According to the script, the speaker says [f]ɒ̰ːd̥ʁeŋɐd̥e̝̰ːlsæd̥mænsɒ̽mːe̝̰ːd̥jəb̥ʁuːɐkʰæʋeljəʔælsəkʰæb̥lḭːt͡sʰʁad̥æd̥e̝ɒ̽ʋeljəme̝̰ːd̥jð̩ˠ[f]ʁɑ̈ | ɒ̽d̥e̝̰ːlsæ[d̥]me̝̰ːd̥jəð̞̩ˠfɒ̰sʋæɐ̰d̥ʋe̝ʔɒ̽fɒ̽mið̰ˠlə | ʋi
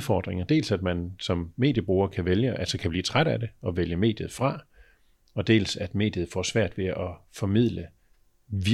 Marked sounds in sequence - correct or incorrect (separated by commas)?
correct, correct, correct